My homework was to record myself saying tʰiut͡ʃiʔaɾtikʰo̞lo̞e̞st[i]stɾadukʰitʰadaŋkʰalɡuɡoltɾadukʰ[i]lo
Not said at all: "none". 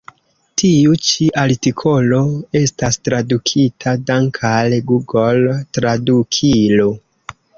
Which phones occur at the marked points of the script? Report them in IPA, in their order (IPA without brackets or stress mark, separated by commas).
a, i